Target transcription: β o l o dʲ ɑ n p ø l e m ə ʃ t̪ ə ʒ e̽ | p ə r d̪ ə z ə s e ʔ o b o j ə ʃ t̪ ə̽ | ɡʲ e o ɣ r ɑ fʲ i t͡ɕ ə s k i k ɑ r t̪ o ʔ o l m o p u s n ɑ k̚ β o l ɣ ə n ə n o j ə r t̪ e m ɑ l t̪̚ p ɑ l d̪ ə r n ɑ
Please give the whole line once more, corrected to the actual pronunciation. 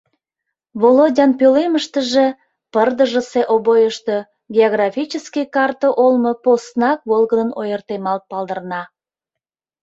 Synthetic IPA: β o l o dʲ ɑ n p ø l e m ə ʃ t̪ ə ʒ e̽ | p ə r d̪ ə ʒ ə s e ʔ o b o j ə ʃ t̪ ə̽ | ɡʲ e o ɣ r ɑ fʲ i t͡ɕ ə s k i k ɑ r t̪ o ʔ o l m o p o s n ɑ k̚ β o l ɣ ə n ə n o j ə r t̪ e m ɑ l t̪̚ p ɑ l d̪ ə r n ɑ